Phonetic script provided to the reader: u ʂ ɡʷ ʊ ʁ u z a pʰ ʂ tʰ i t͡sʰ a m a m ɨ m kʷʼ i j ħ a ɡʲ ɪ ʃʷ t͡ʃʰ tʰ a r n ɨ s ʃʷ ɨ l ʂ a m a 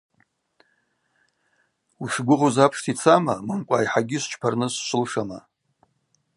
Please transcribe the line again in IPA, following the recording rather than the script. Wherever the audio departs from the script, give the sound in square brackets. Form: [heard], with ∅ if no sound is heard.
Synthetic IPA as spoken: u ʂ ɡʷ ʊ ʁ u z a pʰ ʂ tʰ i t͡sʰ a m a m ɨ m kʷʼ [a] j ħ a ɡʲ ɪ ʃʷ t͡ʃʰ [pʰ] a r n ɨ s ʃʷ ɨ l ʂ a m a